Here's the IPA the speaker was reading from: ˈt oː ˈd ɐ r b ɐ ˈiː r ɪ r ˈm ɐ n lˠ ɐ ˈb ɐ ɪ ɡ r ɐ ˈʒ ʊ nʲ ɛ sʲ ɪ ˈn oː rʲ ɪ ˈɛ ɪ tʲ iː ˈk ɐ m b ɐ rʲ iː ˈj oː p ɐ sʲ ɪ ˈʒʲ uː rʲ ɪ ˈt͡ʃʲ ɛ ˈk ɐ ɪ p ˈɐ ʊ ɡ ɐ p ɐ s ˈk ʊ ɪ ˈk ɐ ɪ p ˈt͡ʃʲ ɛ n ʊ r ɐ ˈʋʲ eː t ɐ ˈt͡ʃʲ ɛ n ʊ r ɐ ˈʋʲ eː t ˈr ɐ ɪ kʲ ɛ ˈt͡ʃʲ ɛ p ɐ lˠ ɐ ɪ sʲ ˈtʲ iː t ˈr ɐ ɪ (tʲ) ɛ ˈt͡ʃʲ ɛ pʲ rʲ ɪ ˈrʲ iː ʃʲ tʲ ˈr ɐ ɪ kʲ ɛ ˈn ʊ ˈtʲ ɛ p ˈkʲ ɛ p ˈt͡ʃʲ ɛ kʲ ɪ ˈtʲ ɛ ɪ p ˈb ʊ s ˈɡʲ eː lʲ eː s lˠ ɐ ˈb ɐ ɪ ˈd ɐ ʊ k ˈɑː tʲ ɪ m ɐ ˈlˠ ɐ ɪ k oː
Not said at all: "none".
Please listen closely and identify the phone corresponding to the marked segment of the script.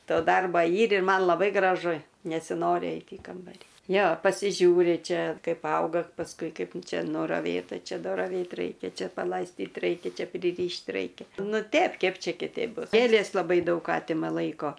kʲ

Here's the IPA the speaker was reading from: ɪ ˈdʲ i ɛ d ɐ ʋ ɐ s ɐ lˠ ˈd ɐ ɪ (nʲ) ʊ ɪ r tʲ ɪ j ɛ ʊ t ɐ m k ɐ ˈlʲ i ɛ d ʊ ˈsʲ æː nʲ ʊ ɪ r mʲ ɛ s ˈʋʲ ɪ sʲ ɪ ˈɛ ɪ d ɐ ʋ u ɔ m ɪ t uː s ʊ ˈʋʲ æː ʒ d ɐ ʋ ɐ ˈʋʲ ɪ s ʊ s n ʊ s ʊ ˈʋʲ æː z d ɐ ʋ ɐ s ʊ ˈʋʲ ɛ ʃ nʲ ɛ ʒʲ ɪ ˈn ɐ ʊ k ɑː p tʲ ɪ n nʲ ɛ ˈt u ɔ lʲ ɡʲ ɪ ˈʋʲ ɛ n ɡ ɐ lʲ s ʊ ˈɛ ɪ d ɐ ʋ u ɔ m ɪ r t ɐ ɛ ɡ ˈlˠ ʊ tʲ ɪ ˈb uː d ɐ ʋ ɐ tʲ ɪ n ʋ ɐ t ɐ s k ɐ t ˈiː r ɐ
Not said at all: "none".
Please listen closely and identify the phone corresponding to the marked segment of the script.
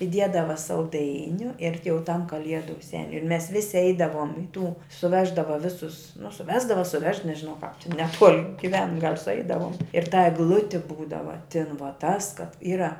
nʲ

